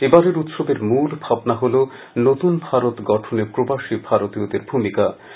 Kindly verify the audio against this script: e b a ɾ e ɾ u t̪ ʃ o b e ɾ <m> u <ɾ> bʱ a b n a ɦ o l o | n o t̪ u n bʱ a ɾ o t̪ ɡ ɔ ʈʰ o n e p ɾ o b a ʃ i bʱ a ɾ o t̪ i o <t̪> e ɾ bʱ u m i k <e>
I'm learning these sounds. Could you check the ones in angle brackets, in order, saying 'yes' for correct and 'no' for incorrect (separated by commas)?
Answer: yes, no, no, no